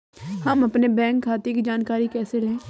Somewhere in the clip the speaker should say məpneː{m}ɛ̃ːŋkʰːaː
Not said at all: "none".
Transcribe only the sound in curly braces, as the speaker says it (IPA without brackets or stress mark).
b